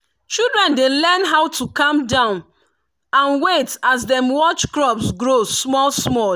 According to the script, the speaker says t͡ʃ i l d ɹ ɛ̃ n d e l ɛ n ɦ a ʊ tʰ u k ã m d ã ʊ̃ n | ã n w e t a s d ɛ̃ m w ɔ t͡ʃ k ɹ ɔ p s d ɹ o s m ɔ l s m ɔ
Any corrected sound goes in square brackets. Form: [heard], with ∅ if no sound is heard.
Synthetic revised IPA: t͡ʃ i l d ɹ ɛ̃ n d e l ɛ n ɦ a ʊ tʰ u k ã m d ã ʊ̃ n | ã n w e t a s d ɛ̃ m w ɔ t͡ʃ k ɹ ɔ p s [ɡ] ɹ o s m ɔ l s m ɔ